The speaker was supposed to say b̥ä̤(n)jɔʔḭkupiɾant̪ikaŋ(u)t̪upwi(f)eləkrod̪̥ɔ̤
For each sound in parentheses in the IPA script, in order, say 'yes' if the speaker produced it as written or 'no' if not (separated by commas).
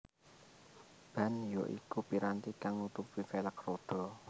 yes, yes, yes